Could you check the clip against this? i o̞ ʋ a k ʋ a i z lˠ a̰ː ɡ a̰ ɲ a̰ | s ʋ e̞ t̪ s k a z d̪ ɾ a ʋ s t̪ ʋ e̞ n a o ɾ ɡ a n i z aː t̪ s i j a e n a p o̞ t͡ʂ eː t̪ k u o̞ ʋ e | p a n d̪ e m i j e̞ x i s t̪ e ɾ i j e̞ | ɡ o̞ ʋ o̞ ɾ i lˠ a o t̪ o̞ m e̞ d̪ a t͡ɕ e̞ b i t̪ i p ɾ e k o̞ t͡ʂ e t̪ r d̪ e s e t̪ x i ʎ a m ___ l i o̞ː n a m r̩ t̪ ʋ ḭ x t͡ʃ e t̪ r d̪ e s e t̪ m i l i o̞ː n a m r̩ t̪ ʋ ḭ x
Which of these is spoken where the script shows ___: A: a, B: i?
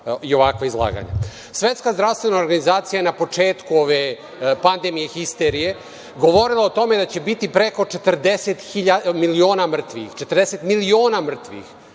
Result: B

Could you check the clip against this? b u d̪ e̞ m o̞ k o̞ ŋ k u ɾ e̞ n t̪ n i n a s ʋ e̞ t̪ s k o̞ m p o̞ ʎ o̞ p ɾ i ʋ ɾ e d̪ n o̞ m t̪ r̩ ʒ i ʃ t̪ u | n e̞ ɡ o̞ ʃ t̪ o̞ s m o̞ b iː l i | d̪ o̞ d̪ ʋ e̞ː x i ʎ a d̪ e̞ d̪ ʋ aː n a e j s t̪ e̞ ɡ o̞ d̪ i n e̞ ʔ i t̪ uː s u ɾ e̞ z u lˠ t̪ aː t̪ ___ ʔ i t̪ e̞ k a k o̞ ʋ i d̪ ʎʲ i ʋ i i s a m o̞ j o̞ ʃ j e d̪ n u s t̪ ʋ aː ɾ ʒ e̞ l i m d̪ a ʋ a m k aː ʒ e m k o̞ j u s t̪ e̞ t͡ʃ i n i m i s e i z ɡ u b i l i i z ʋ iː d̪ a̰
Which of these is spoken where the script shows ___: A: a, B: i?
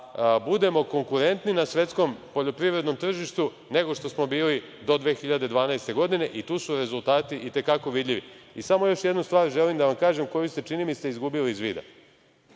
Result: B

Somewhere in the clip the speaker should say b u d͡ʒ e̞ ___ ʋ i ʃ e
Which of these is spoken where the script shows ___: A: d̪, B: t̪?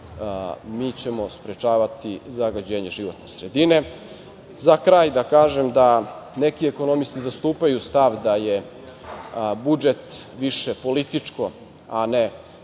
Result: B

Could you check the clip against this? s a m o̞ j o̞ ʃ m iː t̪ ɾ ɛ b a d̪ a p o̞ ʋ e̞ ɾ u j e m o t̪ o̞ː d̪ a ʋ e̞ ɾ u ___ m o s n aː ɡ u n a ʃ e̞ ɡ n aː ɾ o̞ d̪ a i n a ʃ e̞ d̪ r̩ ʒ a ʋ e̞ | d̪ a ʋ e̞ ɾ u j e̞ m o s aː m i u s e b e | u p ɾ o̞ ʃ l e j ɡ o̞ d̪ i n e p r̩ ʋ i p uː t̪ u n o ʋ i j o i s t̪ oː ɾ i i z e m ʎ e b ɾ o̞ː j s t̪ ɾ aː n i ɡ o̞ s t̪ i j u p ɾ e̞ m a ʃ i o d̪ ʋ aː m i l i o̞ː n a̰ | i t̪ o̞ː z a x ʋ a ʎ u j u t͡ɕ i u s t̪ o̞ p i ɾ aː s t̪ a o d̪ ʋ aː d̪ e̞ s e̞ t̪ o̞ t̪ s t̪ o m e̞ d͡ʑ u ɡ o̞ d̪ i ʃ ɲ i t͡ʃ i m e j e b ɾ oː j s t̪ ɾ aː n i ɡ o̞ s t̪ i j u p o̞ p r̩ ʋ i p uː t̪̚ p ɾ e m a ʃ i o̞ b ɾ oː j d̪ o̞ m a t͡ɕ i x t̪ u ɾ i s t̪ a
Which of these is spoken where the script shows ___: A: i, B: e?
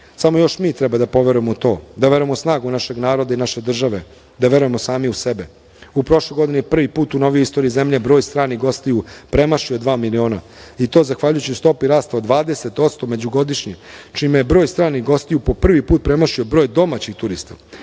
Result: B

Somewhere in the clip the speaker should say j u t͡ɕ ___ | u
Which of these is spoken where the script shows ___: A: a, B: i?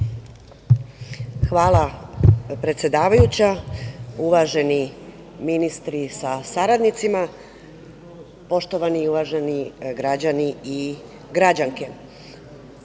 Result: A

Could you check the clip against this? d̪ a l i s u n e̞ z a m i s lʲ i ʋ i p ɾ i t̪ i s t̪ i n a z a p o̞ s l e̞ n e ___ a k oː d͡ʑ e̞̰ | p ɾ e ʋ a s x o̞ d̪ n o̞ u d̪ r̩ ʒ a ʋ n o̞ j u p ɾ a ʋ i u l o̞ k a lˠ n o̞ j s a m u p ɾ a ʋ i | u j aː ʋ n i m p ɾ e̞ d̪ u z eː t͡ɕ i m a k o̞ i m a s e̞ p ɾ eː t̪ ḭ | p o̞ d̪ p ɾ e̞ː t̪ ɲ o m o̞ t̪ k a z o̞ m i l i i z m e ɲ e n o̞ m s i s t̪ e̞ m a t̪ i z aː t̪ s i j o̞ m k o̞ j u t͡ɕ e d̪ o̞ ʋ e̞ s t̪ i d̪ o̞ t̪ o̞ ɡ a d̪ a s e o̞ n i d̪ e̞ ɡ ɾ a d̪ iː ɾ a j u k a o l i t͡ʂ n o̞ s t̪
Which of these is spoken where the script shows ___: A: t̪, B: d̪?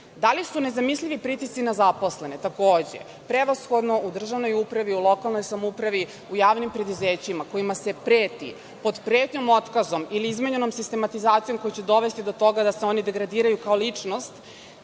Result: A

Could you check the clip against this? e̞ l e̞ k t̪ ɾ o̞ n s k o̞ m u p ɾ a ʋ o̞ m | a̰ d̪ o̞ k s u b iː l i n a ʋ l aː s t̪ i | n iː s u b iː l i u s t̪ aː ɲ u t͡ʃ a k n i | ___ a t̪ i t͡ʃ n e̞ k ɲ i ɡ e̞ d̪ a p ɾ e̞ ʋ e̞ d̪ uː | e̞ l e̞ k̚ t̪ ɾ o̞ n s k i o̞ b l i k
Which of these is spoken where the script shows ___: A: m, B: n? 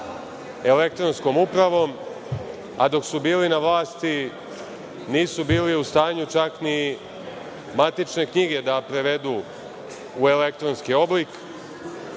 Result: A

